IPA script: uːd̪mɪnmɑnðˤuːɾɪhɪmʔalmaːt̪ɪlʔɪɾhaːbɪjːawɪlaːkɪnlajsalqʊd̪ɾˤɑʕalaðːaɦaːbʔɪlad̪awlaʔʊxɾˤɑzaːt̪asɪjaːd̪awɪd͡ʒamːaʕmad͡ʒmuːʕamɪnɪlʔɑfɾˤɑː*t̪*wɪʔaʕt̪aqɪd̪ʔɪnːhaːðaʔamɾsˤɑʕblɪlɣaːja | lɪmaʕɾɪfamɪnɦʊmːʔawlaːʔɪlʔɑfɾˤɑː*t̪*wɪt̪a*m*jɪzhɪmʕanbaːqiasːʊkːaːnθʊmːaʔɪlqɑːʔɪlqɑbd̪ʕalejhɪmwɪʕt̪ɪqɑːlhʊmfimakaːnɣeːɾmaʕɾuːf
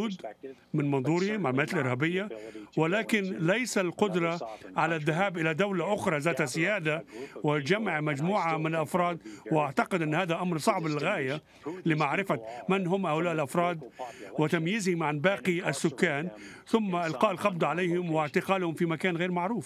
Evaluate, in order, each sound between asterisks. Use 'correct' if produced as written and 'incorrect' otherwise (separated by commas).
incorrect, incorrect, correct